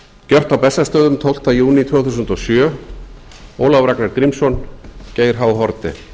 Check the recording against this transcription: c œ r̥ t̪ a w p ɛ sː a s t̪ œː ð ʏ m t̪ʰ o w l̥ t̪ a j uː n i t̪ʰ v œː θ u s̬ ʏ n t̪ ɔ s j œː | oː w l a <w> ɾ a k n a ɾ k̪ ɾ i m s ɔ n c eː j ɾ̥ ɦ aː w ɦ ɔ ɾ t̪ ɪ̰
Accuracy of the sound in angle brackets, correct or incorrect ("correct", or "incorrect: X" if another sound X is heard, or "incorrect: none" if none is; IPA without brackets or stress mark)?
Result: incorrect: v